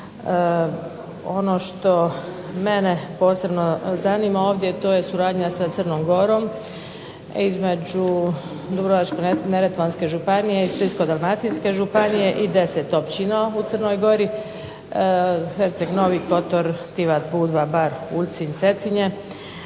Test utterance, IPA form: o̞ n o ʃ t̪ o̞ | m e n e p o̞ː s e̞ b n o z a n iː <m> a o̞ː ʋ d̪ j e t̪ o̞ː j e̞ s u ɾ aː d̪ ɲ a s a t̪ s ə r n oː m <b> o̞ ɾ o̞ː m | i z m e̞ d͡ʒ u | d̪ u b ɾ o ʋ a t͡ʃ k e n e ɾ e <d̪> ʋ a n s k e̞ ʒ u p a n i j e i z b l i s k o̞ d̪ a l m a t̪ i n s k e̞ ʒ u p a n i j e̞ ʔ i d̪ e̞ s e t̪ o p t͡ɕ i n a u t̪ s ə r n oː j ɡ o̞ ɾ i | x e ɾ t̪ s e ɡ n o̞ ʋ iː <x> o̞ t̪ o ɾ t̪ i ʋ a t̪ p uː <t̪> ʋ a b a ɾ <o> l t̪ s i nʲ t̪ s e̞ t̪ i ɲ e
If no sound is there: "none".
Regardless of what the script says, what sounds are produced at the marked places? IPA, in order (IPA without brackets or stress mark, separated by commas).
m, ɡ, t̪, k, d̪, u